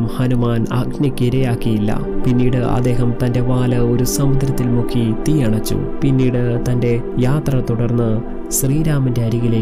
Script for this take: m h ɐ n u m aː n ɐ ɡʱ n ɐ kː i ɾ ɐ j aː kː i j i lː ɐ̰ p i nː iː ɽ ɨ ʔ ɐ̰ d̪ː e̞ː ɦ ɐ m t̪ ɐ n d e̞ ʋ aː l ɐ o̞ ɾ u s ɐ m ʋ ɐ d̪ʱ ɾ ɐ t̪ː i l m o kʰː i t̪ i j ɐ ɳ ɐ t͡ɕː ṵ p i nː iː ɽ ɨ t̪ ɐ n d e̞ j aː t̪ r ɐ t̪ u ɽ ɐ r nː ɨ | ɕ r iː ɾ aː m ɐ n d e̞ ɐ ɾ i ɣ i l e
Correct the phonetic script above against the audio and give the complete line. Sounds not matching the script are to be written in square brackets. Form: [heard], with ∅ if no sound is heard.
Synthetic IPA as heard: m h ɐ n u m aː n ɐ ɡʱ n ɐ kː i ɾ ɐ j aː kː i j i lː ɐ̰ p i nː iː ɽ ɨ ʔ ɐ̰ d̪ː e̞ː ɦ ɐ m t̪ ɐ n d e̞ ʋ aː l ɐ o̞ ɾ u s ɐ m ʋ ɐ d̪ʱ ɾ ɐ t̪ː i l m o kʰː i t̪ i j ɐ ɳ ɐ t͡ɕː ṵ p i nː iː ɽ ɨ t̪ ɐ n d e̞ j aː t̪ r ɐ t̪ u ɽ ɐ r nː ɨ | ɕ r iː ɾ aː m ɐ n d e̞ ɐ ɾ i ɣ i l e